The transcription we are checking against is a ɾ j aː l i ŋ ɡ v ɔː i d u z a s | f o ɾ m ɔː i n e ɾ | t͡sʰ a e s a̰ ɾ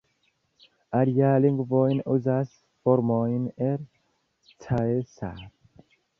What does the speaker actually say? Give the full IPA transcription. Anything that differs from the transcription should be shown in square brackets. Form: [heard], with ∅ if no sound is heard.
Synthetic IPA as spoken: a ɾ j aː l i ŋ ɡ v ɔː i [n] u z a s | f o ɾ m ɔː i n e ɾ | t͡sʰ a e s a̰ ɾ

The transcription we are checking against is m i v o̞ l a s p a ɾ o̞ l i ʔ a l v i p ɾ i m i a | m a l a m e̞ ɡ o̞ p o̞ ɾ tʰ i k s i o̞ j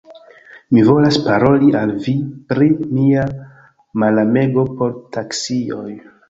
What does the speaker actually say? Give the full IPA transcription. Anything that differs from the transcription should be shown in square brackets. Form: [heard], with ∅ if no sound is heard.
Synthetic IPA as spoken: m i v o̞ l a s p a ɾ o̞ l i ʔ a l v i p ɾ i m i a | m a l a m e̞ ɡ o̞ p o̞ ɾ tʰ [a] k s i o̞ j

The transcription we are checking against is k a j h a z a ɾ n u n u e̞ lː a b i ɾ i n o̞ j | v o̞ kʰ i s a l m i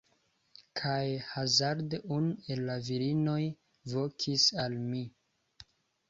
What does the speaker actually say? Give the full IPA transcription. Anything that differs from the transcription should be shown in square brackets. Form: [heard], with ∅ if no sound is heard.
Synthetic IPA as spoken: [kʰ] a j h a z a ɾ [d] u n u e̞ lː a [v] i ɾ i n o̞ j | v o̞ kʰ i s a l m i

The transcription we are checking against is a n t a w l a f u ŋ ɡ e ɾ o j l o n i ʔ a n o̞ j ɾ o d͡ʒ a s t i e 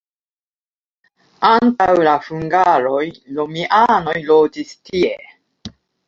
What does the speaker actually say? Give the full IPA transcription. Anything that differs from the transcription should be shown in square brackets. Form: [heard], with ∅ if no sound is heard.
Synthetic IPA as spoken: a n t a w l a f u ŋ ɡ [a] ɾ o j l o [m] i ʔ a n o̞ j [l] o d͡ʒ [i] s t i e

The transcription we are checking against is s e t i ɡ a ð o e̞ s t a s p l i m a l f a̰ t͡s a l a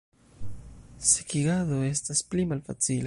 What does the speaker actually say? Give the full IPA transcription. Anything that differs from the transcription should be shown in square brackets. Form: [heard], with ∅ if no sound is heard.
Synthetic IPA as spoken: s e [k] i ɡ a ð o e̞ s t a s p l i m a l f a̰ t͡s [i] l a

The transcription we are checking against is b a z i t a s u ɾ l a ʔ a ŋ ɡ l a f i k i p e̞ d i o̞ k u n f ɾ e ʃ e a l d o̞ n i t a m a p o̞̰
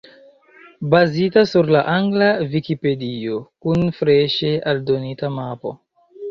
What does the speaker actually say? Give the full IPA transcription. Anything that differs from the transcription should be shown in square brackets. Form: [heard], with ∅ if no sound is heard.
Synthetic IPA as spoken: b a z i t a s u ɾ l a ʔ a ŋ ɡ l a [v] i k i p e̞ d i o̞ k u n f ɾ e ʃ e a l d o̞ n i t a m a p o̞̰

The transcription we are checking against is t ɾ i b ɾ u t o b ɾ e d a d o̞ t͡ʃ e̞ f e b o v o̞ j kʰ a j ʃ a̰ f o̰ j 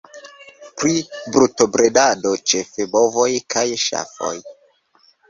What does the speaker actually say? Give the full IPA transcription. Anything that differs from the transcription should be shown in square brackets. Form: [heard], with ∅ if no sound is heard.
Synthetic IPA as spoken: [p] ɾ i b ɾ u t o b ɾ e d a d o̞ t͡ʃ e̞ f e b o v o̞ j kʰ a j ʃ a̰ f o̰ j

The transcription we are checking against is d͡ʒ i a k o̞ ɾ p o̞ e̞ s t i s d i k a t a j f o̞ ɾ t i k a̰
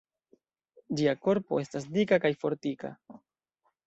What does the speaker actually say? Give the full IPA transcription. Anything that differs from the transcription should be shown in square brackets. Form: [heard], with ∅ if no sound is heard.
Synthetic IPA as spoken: d͡ʒ i a k o̞ ɾ p o̞ e̞ s t [a] s d i k a [k] a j f o̞ ɾ t i k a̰

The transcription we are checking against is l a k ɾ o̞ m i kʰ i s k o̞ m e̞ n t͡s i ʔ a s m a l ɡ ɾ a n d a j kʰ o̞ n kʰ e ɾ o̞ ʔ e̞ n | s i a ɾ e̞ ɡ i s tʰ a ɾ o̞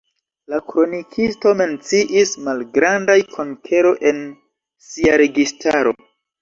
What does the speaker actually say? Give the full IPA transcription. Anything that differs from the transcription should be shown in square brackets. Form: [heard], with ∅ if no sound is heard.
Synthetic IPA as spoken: l a k ɾ o̞ [n] i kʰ i s [t] o̞ m e̞ n t͡s i ʔ [i] s m a l ɡ ɾ a n d a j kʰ o̞ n kʰ e ɾ o̞ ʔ e̞ n | s i a ɾ e̞ ɡ i s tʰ a ɾ o̞

